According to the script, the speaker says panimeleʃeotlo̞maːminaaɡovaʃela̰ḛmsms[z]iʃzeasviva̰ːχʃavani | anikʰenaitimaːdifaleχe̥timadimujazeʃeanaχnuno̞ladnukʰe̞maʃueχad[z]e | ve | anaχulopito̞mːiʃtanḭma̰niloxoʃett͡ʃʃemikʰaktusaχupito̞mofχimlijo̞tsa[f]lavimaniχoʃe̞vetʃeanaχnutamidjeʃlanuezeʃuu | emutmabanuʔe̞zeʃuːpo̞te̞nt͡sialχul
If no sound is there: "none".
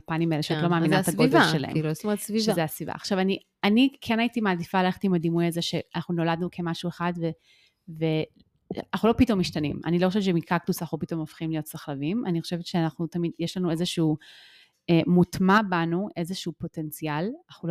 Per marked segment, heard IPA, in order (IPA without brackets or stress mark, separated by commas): v, v, χ